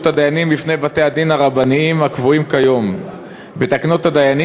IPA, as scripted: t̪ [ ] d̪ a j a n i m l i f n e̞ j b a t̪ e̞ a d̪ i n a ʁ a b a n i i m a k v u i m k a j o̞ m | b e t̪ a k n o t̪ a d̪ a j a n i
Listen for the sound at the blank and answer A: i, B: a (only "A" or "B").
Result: B